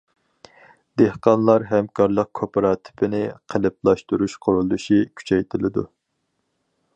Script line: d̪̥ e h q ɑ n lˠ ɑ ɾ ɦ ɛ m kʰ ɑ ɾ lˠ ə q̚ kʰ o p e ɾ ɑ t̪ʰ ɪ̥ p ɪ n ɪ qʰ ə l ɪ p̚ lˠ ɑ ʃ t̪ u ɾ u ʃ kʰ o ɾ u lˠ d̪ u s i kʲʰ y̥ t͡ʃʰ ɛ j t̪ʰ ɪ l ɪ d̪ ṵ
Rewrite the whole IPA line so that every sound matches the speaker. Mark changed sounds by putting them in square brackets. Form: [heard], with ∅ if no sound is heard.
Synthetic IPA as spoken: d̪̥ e h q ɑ n lˠ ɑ ɾ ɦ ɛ m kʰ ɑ ɾ lˠ ə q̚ kʰ o p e ɾ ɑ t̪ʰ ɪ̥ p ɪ n ɪ qʰ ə l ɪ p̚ lˠ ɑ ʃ t̪ u ɾ u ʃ [qʰ] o ɾ u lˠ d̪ u [ʃ] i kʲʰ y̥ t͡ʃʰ ɛ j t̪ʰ ɪ l ɪ d̪ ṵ